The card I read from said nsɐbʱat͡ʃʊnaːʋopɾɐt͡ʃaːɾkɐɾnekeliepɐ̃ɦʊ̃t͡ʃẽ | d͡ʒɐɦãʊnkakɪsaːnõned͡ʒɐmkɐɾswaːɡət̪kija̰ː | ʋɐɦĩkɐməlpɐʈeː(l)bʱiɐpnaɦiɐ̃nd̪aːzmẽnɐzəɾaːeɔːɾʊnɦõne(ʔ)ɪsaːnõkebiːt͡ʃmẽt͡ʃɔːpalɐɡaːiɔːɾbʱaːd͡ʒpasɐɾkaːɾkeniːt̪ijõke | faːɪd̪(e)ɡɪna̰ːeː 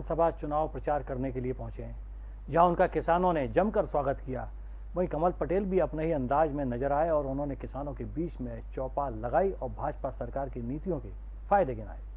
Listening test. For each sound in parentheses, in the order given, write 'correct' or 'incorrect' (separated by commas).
correct, incorrect, correct